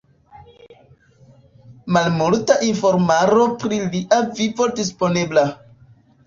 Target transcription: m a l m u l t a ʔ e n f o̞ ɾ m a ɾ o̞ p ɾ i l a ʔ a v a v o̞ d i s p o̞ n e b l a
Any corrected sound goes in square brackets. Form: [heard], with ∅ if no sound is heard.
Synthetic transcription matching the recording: m a l m u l t a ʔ [i] n f o̞ ɾ m a ɾ o̞ p ɾ i l [i] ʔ a v [i] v o̞ d i s p o̞ n e b l a